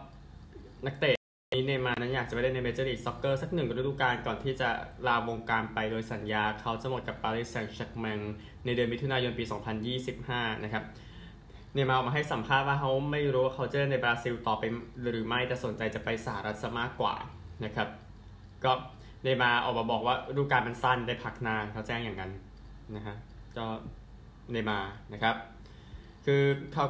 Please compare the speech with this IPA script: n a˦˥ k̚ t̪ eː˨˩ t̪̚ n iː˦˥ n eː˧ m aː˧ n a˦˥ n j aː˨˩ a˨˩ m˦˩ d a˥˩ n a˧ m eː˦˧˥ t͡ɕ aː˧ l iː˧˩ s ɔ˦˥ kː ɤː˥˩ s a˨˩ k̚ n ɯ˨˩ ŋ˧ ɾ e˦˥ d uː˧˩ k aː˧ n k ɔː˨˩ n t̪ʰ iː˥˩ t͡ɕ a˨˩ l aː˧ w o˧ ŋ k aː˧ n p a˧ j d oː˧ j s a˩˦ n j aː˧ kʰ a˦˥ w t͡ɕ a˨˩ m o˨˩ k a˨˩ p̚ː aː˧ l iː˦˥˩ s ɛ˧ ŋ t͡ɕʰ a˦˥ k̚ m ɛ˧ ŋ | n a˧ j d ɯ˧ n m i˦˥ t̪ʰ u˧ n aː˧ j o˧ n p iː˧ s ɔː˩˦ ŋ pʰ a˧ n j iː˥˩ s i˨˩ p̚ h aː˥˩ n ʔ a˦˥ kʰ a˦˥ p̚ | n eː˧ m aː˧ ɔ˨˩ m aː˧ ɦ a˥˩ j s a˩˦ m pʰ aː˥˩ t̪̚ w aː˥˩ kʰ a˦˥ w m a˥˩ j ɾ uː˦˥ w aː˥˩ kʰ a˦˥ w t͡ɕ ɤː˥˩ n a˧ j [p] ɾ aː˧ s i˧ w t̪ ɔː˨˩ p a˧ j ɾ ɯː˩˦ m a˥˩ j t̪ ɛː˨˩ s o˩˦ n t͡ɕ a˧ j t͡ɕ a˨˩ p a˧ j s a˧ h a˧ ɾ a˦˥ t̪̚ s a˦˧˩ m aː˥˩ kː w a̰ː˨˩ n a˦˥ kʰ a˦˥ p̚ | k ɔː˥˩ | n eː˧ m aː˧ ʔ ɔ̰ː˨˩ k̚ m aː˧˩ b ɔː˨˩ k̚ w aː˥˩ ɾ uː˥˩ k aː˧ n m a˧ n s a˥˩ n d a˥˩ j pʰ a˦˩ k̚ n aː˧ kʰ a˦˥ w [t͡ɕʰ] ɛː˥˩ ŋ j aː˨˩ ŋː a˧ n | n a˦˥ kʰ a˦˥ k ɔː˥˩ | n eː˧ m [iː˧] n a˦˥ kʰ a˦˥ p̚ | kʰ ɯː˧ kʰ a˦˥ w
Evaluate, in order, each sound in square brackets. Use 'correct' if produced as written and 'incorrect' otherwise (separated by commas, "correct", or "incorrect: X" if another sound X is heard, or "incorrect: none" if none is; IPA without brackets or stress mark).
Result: incorrect: b, incorrect: t͡ɕ, incorrect: aː˧